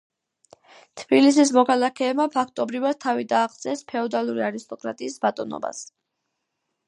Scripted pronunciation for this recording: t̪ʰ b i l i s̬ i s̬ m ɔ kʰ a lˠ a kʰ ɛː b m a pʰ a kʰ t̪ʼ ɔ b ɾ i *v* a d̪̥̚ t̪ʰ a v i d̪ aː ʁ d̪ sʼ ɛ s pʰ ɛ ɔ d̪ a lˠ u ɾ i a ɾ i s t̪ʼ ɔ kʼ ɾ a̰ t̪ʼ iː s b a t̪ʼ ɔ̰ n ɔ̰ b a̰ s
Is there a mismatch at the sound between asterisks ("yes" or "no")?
no